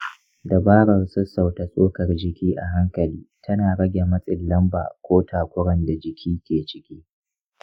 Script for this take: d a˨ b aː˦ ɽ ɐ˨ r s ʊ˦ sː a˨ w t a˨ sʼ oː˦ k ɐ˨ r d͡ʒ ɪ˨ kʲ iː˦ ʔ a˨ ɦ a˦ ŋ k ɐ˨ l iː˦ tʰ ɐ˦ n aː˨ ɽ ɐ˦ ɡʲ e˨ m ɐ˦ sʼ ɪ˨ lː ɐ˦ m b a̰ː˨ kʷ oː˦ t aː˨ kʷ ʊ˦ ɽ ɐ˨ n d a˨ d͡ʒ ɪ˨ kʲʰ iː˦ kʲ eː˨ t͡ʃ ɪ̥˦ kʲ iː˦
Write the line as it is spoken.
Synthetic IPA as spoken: d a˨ b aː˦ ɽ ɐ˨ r s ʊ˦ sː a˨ w t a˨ sʼ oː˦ k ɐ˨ r d͡ʒ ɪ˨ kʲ iː˦ ʔ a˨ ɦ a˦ ŋ k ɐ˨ l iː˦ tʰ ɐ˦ n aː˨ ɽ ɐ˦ ɡʲ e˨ m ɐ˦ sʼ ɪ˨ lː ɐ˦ m b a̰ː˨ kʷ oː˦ t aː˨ kʷ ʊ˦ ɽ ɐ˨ n d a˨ d͡ʒ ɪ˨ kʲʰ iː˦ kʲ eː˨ t͡ʃ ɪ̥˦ kʲ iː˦